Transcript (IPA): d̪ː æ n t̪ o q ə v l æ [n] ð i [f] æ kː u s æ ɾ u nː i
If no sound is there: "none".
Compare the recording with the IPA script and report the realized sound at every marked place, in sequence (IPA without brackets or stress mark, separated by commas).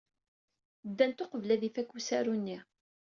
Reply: none, f